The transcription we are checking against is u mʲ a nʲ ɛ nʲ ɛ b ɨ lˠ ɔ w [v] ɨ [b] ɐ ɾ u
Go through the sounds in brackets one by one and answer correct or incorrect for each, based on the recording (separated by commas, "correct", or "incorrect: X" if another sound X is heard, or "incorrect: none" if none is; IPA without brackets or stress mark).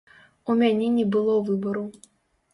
correct, correct